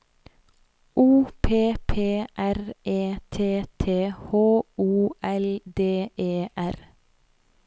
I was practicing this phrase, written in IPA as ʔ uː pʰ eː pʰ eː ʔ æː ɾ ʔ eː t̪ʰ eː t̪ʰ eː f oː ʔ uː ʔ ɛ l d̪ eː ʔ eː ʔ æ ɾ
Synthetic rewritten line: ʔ uː pʰ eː pʰ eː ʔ æ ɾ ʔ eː t̪ʰ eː t̪ʰ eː h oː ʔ uː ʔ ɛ l d̪ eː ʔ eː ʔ æ ɾ